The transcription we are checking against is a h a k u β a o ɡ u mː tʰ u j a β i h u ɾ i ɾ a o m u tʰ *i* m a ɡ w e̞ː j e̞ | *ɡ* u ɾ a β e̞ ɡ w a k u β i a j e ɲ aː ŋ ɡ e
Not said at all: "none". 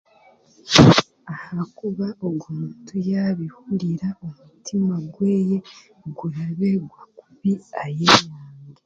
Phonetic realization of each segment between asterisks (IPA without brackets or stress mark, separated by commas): i, ɡ